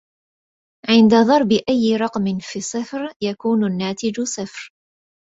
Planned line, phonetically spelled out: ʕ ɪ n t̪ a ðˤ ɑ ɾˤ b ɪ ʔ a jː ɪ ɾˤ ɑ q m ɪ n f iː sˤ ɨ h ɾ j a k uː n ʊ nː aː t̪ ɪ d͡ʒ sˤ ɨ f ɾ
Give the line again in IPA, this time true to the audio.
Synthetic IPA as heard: ʕ ɪ n d̪ a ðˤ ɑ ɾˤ b ɪ ʔ a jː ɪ ɾˤ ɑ q m ɪ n f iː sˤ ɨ f ɾ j a k uː n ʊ nː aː t̪ ɪ d͡ʒ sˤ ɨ f ɾ

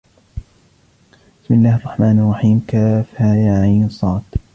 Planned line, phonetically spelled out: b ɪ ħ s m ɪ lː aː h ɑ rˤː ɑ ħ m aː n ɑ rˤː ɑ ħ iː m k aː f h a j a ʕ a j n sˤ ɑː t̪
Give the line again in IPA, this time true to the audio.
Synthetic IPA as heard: b ɪ s m ɪ lː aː h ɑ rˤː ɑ ħ m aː n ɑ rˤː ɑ ħ iː m k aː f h a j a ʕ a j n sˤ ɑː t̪

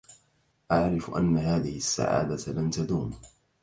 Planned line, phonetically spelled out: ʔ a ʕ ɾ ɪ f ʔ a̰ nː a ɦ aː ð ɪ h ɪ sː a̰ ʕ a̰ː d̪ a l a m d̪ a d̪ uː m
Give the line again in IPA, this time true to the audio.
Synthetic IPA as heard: ʔ a ʕ ɾ ɪ f ʔ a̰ nː a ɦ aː ð ɪ h ɪ sː a̰ ʕ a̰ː d̪ a l a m t̪ a d̪ uː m

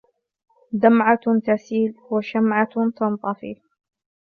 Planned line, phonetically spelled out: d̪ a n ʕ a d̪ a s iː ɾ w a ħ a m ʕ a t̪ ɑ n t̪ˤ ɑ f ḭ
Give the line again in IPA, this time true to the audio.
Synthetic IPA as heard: d̪ a m ʕ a t̪ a s iː l w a ʃ a m ʕ a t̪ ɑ n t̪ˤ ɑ f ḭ

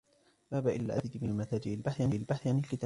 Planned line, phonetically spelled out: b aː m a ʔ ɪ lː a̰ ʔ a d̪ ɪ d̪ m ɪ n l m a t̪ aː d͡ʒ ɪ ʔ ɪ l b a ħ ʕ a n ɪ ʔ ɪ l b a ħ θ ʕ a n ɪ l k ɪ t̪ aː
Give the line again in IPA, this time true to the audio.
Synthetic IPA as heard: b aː b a ʔ ɪ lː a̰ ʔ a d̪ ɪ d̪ m ɪ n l m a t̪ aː d͡ʒ ɪ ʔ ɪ l b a ħ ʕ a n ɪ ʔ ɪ l b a ħ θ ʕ a n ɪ l k ɪ t̪ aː

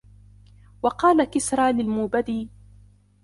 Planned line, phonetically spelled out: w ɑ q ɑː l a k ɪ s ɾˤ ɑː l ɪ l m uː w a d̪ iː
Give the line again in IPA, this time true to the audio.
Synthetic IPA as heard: w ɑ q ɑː l a k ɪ s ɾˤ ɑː l ɪ l m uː b a d̪ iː

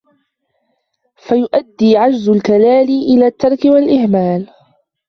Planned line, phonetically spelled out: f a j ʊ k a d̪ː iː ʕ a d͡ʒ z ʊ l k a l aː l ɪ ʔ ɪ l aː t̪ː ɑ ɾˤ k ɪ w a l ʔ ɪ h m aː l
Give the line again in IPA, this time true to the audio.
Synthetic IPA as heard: f a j ʊ ʔ a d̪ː iː ʕ a d͡ʒ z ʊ l k a l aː l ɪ ʔ ɪ l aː t̪ː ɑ ɾˤ k ɪ w a l ʔ ɪ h m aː l

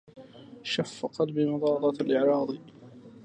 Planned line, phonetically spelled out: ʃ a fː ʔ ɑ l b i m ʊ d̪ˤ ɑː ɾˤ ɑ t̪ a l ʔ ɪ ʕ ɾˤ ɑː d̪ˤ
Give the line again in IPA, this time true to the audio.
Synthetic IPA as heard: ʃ a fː q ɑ l b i m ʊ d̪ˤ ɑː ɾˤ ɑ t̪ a l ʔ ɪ ʕ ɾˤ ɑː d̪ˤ

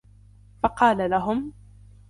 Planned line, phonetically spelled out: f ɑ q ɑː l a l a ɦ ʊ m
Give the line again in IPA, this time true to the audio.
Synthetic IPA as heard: f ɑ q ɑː l a l a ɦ ʊ m

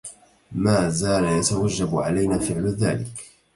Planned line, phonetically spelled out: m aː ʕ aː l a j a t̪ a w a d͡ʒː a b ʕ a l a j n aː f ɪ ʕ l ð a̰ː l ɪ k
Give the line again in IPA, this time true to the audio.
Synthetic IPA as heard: m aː z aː l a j a t̪ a w a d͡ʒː a b ʕ a l a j n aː f ɪ ʕ l ð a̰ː l ɪ k

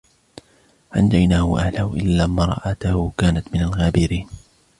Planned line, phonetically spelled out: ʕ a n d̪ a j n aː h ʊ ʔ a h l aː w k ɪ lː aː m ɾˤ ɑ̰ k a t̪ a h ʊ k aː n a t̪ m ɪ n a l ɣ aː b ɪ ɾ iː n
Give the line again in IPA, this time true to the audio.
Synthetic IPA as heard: ʕ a n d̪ a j n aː h ʊ ʔ a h l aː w ʔ ɪ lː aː m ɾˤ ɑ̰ ʔ a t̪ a h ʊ k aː n a t̪ m ɪ n a l ɣ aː b ɪ ɾ iː n

